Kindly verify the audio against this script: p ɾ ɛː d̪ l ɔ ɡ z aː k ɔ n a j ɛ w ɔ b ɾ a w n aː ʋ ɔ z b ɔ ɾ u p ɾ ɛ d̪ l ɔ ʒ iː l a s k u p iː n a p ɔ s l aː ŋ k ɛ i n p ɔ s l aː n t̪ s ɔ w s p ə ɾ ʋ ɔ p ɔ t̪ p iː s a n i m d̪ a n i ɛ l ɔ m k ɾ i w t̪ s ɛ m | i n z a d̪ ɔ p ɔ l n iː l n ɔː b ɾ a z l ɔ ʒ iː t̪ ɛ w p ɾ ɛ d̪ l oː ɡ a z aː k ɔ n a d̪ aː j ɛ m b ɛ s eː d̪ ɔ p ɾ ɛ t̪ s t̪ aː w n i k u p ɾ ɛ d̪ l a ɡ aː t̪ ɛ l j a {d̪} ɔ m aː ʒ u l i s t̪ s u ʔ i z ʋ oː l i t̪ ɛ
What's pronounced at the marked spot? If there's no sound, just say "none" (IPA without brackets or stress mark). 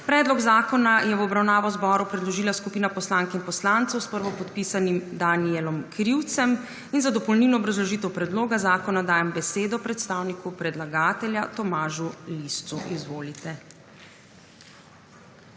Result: t̪